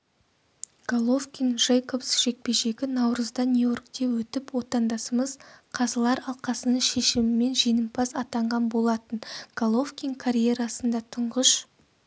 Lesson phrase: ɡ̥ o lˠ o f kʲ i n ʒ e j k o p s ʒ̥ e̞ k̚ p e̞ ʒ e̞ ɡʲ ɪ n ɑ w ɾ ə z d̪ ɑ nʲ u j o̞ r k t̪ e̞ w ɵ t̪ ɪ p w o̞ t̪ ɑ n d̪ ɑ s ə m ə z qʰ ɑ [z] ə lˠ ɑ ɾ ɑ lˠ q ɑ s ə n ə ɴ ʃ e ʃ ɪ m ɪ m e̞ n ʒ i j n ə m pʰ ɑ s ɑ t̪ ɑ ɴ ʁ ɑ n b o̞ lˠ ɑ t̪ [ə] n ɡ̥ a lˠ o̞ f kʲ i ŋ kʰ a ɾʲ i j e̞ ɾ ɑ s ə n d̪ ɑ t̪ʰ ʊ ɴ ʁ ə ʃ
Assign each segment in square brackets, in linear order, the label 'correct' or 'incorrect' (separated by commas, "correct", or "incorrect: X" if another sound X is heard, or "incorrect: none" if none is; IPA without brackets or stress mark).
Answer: correct, correct